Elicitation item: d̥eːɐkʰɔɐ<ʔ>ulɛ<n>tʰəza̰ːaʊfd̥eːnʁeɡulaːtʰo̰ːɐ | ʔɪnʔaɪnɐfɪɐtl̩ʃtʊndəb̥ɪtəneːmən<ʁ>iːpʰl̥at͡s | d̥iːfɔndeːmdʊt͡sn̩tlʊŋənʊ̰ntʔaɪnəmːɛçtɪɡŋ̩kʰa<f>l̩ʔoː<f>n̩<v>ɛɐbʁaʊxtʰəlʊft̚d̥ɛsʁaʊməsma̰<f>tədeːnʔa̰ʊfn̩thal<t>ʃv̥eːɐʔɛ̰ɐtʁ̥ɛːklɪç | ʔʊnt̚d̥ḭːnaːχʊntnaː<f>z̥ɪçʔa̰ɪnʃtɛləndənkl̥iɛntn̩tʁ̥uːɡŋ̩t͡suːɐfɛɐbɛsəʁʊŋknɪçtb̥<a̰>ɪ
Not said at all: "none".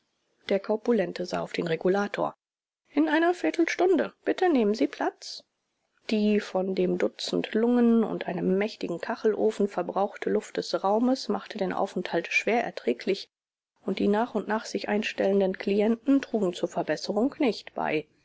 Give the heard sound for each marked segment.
p, n, z, χ, f, f, χ, t, χ, a̰

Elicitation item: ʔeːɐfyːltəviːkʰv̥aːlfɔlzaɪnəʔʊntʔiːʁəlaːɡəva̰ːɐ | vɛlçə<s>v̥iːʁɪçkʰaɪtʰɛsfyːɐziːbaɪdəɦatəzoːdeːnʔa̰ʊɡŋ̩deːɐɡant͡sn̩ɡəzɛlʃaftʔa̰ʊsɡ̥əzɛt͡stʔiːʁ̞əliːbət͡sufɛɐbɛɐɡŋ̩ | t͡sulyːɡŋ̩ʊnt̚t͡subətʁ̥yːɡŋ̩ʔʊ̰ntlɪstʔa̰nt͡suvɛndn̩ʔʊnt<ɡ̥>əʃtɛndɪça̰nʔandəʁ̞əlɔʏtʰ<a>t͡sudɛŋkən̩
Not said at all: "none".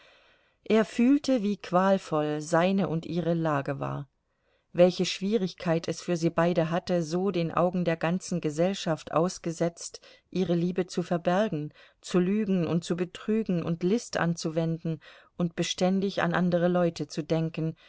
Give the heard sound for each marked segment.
ʃ, b̥, ə

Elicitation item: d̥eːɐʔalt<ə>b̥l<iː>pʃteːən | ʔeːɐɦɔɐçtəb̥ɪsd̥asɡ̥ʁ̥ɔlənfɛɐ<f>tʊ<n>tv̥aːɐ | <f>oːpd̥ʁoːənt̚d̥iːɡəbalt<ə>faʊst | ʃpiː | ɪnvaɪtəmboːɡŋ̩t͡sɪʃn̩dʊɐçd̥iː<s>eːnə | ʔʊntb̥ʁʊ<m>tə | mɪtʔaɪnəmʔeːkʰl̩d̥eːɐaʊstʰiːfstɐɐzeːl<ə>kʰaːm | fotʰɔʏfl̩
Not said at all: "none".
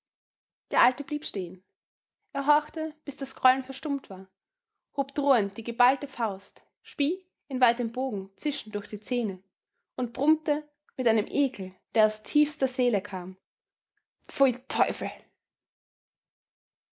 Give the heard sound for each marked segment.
ə, iː, ʃ, m, h, ə, t͡s, m, ə

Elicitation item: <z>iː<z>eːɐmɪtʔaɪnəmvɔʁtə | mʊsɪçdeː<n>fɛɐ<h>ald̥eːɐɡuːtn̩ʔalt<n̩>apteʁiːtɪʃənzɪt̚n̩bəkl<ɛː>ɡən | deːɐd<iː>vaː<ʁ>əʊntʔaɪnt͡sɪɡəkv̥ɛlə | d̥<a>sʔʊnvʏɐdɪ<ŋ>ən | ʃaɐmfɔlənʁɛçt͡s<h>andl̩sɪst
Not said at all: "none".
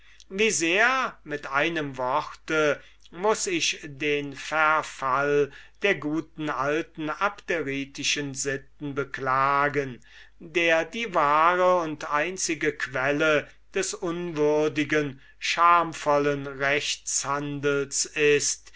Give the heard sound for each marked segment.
v, z, n, f, n̩, aː, iː, ʁ, ɛ, ɡ, h

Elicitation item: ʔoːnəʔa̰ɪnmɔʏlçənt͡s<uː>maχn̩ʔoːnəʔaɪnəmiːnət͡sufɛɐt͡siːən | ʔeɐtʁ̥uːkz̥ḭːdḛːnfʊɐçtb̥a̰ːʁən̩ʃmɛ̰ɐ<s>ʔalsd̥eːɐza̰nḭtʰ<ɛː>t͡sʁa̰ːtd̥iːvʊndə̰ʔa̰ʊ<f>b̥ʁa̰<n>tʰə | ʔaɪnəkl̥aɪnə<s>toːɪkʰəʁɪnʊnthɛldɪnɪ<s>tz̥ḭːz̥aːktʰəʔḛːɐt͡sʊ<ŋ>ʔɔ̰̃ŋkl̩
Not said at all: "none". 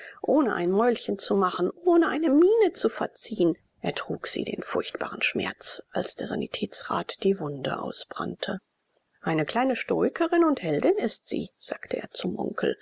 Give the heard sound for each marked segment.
u, t͡s, ɛː, s, n, ʃ, s, m

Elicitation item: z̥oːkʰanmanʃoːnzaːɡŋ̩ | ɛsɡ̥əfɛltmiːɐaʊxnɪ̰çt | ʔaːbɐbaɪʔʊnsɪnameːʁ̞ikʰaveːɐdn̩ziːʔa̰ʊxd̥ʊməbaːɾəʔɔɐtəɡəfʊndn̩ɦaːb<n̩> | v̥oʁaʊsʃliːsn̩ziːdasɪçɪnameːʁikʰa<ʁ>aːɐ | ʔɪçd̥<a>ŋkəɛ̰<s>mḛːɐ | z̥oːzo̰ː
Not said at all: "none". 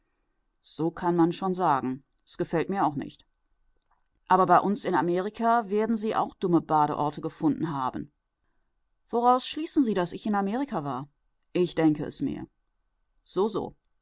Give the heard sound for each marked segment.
n̩, v, ɛ, s

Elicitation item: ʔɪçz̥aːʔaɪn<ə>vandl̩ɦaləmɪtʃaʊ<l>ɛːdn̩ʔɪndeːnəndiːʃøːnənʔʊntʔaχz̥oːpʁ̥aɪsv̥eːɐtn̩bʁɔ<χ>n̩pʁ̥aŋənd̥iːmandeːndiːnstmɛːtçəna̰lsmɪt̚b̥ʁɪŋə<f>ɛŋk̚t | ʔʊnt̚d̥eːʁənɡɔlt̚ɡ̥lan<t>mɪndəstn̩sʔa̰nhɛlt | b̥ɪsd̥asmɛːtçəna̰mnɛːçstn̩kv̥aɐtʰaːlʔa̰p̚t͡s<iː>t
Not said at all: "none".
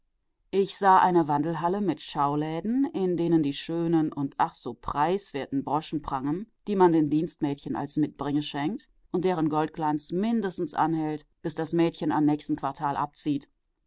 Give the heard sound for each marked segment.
ə, l, ʃ, ʃ, t͡s, iː

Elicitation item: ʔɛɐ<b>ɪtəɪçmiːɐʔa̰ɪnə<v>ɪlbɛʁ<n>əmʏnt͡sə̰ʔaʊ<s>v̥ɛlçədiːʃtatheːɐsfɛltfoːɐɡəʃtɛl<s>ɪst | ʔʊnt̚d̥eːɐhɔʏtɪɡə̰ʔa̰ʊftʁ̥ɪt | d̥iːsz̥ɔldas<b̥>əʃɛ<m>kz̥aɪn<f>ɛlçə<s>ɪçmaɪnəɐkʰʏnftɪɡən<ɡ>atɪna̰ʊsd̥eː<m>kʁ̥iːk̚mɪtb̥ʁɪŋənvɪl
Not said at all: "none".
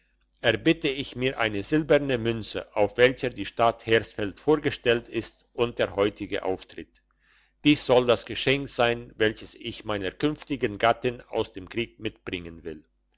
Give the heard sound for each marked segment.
b, z, n, f, t, ɡ̥, ŋ, v, s, ɡ, m

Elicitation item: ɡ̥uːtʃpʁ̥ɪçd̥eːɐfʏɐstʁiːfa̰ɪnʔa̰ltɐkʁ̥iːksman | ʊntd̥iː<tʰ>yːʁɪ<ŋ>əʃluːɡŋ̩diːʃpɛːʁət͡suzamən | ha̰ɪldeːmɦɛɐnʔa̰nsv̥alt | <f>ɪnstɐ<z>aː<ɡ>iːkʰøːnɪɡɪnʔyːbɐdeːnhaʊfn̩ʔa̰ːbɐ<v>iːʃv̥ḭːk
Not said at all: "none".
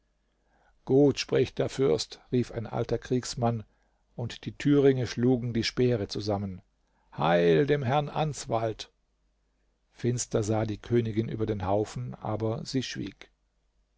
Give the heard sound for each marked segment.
tʰ, ŋ, f, z, d, z

